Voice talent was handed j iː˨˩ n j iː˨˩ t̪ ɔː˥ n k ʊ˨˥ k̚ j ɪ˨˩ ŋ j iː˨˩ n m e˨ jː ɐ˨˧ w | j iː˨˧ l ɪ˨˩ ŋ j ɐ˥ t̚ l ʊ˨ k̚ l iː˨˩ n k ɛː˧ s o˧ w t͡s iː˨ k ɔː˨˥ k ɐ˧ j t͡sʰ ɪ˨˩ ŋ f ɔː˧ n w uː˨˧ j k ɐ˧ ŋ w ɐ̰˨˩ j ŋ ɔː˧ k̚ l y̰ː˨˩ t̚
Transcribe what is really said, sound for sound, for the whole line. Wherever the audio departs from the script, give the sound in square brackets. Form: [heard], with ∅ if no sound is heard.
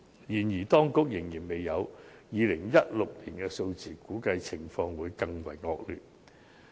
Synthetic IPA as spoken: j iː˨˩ n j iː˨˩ t̪ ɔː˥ [ŋ] k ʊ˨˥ k̚ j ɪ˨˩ ŋ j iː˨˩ n m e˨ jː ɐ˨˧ w | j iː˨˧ l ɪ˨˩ ŋ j ɐ˥ t̚ l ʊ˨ k̚ l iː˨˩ n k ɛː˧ s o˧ w t͡s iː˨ k [uː˨˥] k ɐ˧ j t͡sʰ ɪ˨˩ ŋ f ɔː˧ [ŋ] w uː˨˧ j k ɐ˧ ŋ w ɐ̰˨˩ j ŋ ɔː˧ k̚ l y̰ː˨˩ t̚